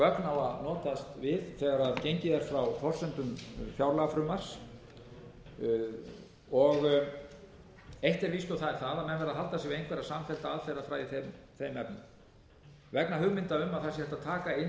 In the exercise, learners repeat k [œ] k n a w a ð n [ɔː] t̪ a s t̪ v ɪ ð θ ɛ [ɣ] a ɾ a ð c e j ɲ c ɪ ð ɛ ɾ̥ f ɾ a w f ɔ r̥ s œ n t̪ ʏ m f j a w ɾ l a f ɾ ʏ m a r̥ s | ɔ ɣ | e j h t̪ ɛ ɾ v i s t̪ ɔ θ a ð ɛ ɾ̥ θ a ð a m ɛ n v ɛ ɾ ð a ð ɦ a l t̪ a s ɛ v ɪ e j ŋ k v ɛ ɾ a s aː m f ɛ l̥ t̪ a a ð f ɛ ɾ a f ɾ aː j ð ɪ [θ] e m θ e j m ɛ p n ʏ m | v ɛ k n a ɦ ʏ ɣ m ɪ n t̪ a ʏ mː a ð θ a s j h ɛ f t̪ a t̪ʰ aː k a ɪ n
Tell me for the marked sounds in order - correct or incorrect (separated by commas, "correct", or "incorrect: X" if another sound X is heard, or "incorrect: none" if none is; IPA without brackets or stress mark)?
correct, correct, correct, correct